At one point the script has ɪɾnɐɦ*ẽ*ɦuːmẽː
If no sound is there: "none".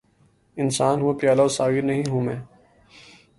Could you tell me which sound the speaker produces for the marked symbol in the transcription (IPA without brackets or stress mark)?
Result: ĩ